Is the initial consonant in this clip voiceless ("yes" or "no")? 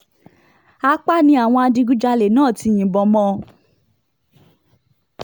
yes